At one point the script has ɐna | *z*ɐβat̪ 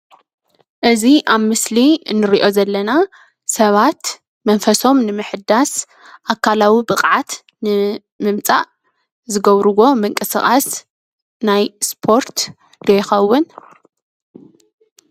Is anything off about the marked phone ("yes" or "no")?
yes